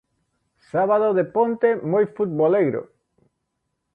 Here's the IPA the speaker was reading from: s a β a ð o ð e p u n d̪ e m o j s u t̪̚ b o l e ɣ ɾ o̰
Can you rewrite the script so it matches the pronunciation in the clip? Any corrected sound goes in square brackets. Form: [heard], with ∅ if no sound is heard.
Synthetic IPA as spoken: s a β a ð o ð e p [o] n [t̪] e m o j [f] u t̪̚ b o l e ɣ ɾ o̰